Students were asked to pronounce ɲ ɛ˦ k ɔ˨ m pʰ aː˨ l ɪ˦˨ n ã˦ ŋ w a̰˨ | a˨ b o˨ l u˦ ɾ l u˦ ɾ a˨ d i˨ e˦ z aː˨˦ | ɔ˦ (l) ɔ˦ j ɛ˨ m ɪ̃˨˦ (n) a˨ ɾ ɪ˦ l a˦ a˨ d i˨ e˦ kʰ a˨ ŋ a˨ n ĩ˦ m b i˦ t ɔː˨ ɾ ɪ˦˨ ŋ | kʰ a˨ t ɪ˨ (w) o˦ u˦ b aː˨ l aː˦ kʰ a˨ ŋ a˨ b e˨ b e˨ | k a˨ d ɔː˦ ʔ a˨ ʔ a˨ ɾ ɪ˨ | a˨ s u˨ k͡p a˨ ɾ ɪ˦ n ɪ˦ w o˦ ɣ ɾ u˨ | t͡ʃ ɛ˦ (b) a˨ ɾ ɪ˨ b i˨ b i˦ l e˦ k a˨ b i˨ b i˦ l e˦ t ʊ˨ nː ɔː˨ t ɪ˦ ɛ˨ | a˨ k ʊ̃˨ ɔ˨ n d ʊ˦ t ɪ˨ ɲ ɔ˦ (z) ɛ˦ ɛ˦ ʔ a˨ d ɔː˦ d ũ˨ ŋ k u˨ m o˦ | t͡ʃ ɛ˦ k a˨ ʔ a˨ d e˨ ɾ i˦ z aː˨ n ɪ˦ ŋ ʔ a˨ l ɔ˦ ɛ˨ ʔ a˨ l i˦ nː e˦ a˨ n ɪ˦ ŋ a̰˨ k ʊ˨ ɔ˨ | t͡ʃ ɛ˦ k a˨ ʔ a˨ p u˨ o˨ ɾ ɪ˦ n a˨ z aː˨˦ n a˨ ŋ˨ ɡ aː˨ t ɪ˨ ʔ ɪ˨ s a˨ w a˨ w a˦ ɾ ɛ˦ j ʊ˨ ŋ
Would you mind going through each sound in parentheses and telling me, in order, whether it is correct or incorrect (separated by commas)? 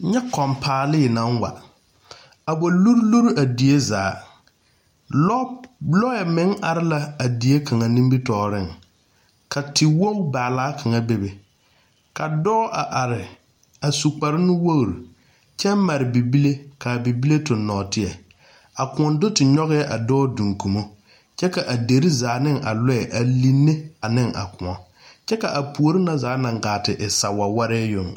correct, incorrect, correct, incorrect, incorrect